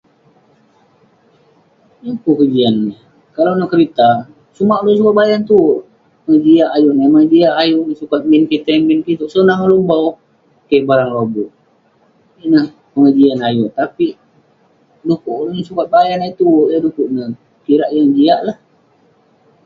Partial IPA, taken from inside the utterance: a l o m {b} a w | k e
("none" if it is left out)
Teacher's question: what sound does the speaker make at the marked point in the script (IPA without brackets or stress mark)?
b